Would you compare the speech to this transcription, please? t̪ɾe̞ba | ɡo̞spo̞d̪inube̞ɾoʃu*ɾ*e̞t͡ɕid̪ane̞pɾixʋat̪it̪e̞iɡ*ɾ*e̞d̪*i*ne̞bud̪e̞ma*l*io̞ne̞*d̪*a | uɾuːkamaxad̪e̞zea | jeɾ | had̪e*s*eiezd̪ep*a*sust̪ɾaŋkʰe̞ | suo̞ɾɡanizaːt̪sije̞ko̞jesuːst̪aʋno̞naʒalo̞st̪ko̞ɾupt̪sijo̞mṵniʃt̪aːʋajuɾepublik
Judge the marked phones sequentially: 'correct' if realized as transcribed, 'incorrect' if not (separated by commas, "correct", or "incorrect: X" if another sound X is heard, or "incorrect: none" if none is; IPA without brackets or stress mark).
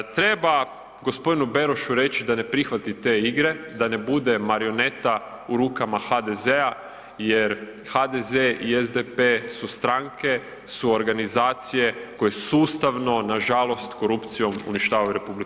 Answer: correct, correct, incorrect: a, incorrect: ɾ, incorrect: t̪, incorrect: z, incorrect: e